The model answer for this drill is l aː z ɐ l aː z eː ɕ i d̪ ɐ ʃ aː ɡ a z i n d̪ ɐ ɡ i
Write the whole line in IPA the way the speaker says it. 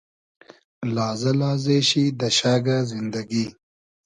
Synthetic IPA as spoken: l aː z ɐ l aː z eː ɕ i d̪ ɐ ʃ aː ɡ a z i n d̪ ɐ ɡ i

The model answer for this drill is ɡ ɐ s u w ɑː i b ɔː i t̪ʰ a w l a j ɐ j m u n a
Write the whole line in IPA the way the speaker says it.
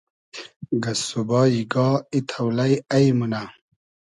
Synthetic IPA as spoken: ɡ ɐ s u b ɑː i ɡ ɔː i t̪ʰ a w l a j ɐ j m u n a

